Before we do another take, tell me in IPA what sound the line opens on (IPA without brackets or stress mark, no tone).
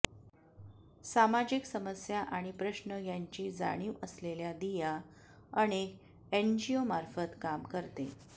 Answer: s